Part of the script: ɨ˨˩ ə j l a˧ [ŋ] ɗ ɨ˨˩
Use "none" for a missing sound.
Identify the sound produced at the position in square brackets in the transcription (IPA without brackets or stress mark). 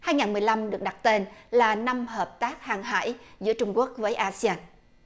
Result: m